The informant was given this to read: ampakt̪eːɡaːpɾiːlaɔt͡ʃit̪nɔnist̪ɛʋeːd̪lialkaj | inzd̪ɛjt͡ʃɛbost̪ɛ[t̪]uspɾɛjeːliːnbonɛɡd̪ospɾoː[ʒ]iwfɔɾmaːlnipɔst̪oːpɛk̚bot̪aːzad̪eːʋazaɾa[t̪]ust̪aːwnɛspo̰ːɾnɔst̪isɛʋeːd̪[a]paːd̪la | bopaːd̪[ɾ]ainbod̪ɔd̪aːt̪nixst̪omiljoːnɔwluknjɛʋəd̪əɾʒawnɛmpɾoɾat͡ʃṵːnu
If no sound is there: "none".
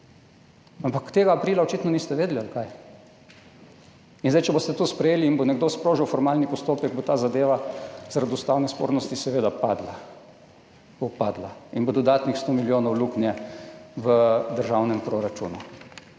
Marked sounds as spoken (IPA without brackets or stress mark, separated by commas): t̪, ʒ, d̪, a, l